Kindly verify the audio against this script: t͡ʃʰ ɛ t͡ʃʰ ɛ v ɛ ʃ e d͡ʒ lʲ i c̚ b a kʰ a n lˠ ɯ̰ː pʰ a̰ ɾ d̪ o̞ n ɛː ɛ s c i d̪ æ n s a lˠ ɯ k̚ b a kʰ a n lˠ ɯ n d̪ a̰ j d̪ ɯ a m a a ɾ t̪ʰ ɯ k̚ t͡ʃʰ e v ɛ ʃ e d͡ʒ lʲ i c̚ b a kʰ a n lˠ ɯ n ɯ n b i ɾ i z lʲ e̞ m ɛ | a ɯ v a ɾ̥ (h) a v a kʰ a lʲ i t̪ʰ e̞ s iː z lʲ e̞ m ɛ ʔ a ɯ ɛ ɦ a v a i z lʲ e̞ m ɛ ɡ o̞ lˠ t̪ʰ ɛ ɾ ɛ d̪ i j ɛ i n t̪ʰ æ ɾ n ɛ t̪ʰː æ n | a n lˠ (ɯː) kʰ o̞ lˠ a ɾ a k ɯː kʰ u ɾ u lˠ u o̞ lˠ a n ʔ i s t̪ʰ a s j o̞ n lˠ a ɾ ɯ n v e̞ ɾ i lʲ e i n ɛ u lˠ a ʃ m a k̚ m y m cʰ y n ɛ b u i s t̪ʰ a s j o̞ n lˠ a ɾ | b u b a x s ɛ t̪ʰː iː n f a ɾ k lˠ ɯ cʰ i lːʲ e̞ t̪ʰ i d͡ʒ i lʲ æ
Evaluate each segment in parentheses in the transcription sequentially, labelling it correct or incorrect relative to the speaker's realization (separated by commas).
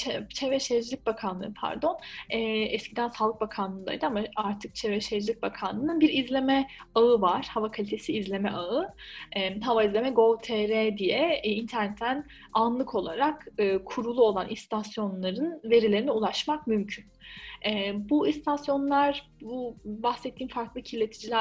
correct, incorrect